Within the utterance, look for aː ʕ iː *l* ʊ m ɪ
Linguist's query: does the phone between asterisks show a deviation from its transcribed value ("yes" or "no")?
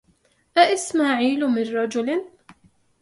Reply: no